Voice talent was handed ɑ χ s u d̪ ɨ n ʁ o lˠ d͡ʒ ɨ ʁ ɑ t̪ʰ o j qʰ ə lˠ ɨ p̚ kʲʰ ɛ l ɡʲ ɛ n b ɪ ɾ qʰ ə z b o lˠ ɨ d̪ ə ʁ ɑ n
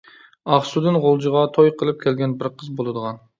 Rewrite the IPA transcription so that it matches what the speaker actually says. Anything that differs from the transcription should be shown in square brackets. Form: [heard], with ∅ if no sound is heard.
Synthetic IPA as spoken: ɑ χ s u d̪ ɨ n ʁ o lˠ d͡ʒ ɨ ʁ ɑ t̪ʰ o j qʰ ə lˠ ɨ p̚ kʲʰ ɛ l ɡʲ ɛ n b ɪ ɾ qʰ ə z b o lˠ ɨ d̪ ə ʁ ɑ n